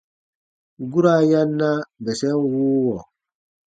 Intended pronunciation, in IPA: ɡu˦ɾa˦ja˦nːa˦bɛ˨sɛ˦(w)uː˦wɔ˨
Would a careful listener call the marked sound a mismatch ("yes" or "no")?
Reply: no